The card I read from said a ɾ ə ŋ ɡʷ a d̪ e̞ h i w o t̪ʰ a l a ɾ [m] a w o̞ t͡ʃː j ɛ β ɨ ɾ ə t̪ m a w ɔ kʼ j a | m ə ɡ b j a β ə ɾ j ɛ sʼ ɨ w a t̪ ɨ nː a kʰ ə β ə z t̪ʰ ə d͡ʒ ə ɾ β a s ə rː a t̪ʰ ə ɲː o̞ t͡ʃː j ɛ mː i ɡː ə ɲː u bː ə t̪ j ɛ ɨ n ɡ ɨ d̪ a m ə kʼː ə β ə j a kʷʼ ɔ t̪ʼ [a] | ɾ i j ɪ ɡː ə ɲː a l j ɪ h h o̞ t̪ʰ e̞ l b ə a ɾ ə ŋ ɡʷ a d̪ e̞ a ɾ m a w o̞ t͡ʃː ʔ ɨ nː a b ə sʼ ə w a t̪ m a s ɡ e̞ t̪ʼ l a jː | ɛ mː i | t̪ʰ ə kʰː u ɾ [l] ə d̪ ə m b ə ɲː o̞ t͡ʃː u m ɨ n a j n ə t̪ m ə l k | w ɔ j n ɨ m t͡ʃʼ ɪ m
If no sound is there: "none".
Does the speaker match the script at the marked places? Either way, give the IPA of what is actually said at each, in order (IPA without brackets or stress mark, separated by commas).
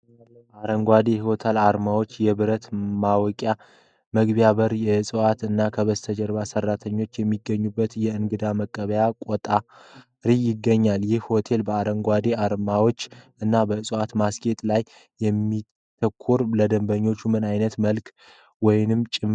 m, a, l